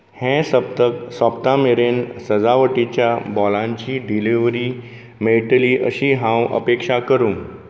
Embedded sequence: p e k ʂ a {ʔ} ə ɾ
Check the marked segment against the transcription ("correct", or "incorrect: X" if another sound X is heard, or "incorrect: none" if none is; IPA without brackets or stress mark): incorrect: k